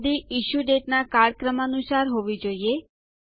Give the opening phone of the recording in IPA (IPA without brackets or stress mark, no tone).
d̪